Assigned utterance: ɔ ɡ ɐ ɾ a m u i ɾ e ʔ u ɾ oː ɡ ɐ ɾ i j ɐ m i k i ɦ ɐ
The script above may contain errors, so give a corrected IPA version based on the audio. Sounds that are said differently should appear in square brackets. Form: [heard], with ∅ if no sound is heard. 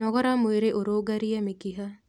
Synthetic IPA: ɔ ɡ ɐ ɾ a m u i ɾ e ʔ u ɾ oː ɡ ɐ ɾ i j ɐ m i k i ɦ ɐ